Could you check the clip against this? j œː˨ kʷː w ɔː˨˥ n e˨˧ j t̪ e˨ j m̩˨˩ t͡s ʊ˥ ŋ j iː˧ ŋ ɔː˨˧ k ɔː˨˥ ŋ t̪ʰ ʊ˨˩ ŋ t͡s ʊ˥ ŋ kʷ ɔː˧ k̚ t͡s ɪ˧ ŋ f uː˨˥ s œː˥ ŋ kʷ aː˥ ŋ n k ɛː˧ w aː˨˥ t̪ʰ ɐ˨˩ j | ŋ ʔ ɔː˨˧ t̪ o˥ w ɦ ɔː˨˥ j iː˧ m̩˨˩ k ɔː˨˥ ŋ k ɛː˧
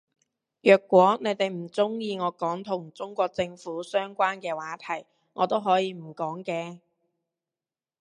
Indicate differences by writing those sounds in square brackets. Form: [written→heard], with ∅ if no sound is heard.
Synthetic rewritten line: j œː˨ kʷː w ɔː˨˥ n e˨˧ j t̪ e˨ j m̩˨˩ t͡s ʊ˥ ŋ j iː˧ ŋ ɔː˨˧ k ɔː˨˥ ŋ t̪ʰ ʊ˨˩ ŋ t͡s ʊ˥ ŋ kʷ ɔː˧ k̚ t͡s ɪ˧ ŋ f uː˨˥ s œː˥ ŋ kʷ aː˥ [ŋ→∅] n k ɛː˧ w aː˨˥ t̪ʰ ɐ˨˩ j | ŋ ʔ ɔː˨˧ t̪ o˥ w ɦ ɔː˨˥ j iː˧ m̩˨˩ k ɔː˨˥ ŋ k ɛː˧